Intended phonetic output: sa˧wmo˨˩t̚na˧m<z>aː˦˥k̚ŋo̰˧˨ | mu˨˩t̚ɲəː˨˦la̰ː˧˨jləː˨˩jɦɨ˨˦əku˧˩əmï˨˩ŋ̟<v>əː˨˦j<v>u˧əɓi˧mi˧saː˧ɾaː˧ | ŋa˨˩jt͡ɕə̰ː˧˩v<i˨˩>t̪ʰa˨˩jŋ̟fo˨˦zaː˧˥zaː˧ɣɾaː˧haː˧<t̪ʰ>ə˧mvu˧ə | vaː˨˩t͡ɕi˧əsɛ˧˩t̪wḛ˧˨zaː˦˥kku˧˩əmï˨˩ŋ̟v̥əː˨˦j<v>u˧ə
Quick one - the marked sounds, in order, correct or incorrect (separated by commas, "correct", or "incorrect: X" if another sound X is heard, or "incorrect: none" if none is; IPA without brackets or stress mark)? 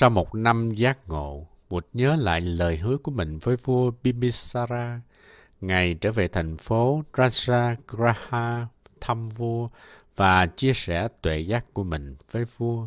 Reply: correct, correct, correct, incorrect: e˨˩, correct, correct